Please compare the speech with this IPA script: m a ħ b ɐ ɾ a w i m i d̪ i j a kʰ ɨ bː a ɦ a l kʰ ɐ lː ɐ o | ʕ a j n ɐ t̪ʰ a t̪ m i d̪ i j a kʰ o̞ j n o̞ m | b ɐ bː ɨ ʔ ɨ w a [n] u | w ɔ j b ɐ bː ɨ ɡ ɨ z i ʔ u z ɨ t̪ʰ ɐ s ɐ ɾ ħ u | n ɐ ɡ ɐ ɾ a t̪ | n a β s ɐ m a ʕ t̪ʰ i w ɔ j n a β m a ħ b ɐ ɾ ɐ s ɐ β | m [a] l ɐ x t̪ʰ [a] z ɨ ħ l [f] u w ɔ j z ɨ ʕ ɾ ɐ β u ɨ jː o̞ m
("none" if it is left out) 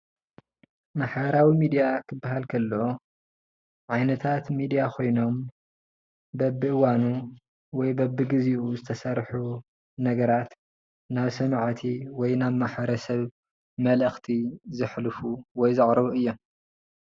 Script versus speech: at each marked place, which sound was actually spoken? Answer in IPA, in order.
n, ɐ, i, f

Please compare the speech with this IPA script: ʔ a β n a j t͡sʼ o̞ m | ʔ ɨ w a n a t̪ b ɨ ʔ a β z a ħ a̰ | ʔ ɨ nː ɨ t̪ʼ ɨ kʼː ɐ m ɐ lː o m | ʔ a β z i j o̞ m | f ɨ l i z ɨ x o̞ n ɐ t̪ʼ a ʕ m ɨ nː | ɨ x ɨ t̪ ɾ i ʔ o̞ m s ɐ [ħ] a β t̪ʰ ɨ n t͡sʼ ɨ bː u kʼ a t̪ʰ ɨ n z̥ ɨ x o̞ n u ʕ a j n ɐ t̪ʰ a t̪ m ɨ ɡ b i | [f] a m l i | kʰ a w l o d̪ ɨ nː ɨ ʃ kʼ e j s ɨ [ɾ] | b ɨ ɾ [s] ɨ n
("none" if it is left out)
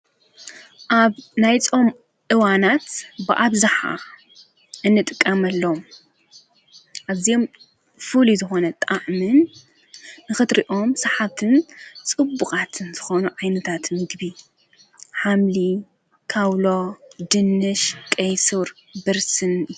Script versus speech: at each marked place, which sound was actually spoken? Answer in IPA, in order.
ħ, ħ, ɾ, s

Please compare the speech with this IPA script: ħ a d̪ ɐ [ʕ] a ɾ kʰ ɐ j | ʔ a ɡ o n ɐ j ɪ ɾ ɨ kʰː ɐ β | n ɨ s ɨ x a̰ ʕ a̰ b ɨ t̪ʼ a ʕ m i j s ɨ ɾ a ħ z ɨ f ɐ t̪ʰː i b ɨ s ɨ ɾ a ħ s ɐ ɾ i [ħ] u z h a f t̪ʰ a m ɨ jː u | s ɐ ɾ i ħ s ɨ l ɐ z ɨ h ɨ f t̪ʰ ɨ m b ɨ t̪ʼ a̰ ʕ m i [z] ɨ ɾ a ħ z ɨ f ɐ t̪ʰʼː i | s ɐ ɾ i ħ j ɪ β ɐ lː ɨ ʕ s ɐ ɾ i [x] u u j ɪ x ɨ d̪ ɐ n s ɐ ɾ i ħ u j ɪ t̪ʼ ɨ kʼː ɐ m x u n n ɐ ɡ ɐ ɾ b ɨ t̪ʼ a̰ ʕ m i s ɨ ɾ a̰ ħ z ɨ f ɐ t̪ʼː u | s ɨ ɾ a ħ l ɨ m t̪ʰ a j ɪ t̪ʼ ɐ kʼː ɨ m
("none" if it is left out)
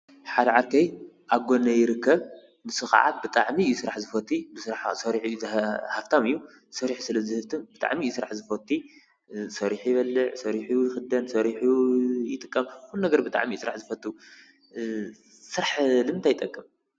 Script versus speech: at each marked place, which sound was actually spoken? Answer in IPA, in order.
ʕ, ħ, s, ħ

